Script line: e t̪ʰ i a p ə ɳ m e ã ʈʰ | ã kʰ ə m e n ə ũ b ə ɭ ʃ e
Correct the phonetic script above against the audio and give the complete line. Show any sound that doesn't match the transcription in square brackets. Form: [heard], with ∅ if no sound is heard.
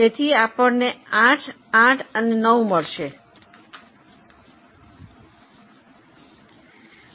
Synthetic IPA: e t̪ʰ i a p ə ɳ [n] e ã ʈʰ | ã [ʈʰ] ə [n] e n ə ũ [m] ə ɭ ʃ e